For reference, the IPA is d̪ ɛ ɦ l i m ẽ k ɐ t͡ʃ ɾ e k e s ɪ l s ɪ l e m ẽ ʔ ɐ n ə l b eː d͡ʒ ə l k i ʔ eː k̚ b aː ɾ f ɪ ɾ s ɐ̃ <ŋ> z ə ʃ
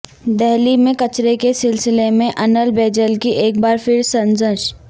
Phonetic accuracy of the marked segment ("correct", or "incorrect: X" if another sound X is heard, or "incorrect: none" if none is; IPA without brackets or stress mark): incorrect: n